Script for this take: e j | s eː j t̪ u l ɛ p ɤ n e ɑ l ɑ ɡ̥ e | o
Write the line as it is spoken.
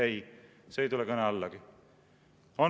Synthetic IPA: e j | s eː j t̪ u l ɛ k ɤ n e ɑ lː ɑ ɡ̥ i | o